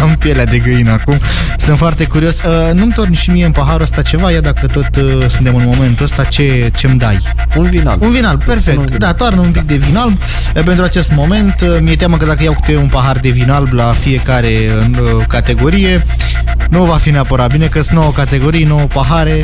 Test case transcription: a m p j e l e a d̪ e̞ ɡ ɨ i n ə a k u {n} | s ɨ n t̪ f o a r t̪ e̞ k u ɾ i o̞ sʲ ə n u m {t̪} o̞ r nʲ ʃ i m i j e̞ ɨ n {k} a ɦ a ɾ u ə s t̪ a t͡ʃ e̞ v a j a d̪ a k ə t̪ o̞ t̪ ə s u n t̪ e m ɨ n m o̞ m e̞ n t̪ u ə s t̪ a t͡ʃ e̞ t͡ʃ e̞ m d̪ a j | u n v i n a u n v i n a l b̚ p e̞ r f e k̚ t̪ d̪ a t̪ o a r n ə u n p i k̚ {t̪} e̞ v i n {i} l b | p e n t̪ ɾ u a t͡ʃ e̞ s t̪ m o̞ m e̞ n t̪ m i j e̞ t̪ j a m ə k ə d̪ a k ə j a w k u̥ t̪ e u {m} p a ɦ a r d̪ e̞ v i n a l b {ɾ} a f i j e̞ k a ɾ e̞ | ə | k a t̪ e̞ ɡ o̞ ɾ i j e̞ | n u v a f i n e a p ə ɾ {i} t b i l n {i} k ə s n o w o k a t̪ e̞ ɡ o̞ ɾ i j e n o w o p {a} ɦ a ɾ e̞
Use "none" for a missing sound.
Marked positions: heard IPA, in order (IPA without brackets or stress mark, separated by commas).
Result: m, t̪, p, d̪, a, n, l, a, e, a